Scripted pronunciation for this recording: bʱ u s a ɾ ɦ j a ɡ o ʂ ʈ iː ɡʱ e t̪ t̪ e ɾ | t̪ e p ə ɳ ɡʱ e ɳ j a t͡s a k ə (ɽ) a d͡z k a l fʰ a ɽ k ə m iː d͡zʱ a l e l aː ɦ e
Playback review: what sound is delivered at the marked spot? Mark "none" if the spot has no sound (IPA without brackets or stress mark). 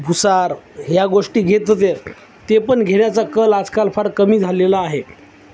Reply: l